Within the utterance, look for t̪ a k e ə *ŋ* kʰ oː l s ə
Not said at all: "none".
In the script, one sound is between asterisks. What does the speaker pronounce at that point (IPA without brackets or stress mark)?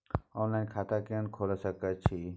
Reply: n